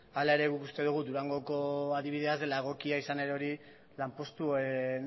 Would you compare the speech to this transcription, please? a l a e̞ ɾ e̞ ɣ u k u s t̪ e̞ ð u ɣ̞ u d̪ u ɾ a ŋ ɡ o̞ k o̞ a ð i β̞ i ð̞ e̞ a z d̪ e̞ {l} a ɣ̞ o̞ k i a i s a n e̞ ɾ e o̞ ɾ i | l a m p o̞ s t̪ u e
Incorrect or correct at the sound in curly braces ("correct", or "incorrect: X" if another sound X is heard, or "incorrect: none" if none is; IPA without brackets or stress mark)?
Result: correct